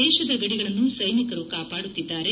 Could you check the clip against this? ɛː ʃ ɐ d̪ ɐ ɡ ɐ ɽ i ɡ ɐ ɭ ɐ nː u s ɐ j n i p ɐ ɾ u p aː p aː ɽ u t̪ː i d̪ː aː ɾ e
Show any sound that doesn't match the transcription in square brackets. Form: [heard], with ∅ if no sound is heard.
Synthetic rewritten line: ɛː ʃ ɐ d̪ ɐ ɡ ɐ ɽ i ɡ ɐ ɭ ɐ nː u s ɐ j n i [k] ɐ ɾ u [k] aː p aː ɽ u t̪ː i d̪ː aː ɾ e